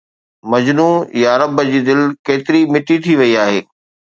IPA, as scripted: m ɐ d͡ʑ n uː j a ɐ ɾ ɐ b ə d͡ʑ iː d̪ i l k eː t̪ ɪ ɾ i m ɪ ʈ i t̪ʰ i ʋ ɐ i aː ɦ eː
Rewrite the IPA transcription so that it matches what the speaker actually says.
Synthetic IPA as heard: m ɐ d͡ʑ n uː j a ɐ ɾ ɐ b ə d͡ʑ iː d̪ ɪ l k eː t̪ ɪ ɾ i m ɪ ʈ i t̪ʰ i ʋ ɐ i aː ɦ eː